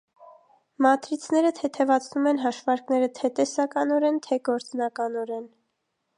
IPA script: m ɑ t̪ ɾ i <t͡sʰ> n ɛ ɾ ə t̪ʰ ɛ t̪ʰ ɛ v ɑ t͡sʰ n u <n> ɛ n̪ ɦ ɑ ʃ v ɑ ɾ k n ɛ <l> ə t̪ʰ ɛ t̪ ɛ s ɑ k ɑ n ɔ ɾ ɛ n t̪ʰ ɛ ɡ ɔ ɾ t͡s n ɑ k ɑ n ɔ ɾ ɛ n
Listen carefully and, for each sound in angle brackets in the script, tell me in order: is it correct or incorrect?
correct, incorrect, incorrect

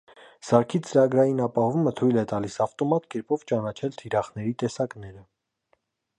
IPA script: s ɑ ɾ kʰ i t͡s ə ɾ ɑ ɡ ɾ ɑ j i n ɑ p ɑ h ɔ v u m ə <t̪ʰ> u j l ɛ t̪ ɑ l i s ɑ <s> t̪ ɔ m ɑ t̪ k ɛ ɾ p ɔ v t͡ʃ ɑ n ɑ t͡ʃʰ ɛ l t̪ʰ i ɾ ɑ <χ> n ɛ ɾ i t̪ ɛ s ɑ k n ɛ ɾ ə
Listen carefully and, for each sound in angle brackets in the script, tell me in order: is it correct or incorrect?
correct, incorrect, correct

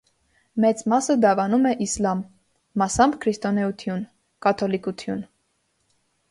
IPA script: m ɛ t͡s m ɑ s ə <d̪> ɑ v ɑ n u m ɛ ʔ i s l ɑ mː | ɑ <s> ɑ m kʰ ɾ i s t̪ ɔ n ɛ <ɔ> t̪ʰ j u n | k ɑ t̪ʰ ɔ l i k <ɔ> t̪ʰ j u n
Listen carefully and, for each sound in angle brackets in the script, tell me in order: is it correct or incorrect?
correct, correct, incorrect, incorrect

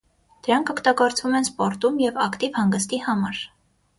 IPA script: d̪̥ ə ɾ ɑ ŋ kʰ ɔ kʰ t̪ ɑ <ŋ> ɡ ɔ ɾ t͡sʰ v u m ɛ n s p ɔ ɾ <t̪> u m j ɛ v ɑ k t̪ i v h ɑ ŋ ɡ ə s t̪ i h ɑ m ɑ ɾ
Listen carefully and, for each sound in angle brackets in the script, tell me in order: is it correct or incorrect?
incorrect, correct

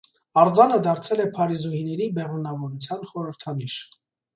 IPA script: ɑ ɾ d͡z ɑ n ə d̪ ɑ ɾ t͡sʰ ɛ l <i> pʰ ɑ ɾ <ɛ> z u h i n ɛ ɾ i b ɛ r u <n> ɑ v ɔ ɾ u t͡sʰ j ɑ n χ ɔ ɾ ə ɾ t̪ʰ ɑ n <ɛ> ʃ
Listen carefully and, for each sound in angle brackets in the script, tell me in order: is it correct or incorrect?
incorrect, incorrect, correct, incorrect

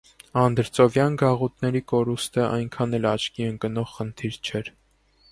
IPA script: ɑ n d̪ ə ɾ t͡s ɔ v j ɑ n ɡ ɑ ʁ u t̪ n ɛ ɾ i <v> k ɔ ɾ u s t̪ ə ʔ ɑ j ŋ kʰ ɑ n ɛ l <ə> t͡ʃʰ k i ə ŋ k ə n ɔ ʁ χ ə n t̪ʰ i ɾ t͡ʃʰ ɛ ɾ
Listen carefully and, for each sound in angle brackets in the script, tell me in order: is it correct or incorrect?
incorrect, incorrect

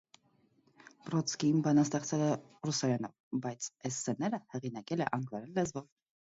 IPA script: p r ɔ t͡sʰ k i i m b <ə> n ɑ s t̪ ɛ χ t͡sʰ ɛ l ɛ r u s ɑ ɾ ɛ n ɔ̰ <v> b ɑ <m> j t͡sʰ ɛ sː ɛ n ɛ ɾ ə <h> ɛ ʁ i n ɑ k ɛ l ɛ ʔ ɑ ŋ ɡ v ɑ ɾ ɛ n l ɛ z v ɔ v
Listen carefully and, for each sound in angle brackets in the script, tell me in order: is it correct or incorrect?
incorrect, correct, incorrect, correct

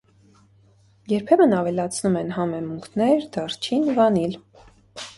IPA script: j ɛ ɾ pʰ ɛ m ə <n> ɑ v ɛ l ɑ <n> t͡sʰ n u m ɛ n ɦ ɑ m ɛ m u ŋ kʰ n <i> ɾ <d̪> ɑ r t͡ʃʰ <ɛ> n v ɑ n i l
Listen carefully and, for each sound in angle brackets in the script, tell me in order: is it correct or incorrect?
correct, incorrect, incorrect, correct, incorrect

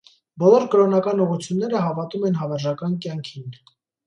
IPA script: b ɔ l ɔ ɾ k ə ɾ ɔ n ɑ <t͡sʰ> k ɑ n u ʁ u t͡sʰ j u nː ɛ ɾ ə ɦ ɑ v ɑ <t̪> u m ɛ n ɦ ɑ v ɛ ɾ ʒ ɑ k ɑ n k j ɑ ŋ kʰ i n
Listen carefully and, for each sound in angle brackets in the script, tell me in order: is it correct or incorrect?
incorrect, correct

